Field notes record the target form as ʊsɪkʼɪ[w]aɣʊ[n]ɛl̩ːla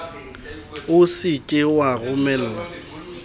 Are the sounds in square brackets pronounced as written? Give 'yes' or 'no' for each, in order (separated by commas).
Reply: yes, no